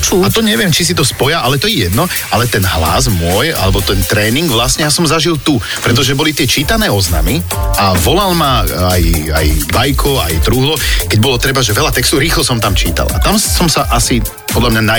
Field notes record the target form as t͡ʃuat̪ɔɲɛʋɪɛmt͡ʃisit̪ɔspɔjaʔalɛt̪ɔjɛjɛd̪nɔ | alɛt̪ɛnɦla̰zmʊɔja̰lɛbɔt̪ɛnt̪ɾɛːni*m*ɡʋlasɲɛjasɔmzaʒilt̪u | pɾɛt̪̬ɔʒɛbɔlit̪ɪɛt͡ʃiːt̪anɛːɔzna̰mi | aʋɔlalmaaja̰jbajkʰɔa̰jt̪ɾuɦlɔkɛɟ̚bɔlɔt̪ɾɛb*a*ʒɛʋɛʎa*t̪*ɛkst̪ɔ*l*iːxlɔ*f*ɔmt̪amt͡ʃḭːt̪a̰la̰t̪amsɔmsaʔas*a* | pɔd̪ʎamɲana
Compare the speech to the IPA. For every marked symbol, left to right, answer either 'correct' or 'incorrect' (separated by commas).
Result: incorrect, correct, correct, incorrect, incorrect, incorrect